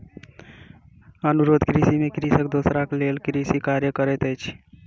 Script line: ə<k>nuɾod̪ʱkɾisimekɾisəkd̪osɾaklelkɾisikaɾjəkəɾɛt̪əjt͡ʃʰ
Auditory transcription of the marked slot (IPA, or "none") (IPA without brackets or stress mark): none